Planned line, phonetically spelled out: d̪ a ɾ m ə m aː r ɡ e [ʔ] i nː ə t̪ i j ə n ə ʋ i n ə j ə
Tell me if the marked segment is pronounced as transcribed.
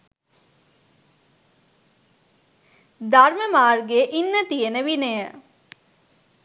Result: yes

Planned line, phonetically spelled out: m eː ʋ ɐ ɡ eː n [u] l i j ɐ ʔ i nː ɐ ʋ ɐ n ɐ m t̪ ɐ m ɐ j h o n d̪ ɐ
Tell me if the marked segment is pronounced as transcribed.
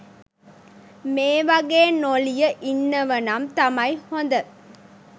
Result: no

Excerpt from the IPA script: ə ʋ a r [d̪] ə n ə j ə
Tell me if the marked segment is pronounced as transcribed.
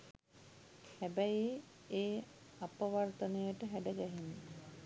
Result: no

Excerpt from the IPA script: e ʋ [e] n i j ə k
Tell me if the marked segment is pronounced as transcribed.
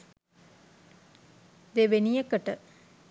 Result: yes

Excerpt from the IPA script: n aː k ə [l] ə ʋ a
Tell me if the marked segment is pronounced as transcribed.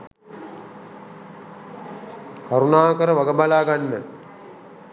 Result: no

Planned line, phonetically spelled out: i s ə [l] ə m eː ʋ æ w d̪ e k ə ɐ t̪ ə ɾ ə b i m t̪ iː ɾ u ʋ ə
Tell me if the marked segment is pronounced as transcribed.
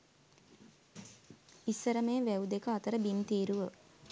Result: no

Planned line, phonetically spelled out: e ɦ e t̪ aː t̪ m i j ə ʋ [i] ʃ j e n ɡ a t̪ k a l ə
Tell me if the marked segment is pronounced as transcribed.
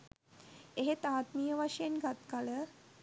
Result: no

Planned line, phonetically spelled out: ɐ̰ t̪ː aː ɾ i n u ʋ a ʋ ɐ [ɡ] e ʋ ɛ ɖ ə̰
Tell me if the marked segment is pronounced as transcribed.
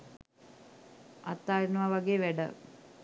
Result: yes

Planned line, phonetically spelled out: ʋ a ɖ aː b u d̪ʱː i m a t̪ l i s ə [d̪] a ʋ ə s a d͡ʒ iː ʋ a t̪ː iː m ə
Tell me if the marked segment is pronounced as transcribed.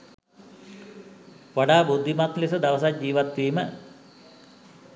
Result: yes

